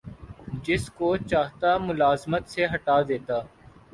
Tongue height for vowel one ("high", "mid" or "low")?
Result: high